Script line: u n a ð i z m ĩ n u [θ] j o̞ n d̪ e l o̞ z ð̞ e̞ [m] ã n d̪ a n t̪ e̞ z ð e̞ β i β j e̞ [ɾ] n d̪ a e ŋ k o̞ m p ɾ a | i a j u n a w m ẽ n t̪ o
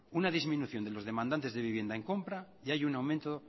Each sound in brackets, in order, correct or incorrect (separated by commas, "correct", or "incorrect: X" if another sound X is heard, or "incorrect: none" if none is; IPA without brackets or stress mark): correct, correct, incorrect: none